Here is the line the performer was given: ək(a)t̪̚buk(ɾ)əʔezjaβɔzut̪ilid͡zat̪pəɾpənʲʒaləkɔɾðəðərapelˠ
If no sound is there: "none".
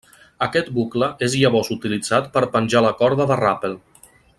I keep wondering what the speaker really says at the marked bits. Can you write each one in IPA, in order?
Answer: ɛ, l

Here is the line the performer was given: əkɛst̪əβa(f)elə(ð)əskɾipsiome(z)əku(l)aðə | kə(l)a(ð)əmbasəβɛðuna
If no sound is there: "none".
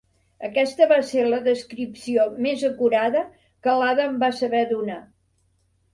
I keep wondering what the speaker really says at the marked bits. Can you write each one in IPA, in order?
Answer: s, ð, z, ɾ, l, ð

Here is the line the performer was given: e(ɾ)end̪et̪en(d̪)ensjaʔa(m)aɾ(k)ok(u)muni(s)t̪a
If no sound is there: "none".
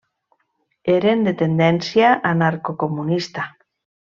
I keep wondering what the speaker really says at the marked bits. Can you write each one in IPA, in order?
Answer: ɾ, d̪, n, k, o, s

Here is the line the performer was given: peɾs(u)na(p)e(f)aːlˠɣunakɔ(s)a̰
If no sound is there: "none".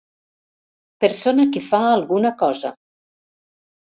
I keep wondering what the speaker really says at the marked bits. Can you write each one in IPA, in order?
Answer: o, k, f, z

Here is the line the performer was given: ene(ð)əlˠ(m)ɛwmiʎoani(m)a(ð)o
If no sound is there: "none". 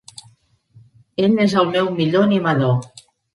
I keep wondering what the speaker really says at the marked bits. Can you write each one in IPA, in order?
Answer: z, m, m, ð

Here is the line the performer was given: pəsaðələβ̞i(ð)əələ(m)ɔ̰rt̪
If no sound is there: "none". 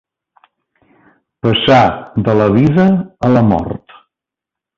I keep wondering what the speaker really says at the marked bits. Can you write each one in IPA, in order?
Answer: ð, m

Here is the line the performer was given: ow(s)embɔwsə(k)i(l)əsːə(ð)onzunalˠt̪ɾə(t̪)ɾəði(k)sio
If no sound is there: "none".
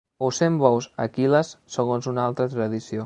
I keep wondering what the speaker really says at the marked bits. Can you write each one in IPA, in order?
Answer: s, k, l, ɣ, t̪, none

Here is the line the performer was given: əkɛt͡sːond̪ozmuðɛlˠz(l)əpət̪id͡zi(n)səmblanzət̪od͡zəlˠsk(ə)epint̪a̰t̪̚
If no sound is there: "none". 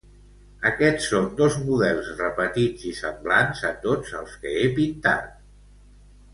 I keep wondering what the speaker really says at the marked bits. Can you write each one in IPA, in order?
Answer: r, none, ə

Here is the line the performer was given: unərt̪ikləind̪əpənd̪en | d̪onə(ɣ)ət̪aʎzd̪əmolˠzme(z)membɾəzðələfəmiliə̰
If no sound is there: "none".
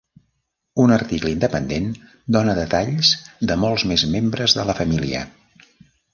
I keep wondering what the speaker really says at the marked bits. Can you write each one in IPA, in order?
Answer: ð, z

